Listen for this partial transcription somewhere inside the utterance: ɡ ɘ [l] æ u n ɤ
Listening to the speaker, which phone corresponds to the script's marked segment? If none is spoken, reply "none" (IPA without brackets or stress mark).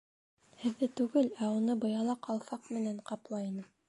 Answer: l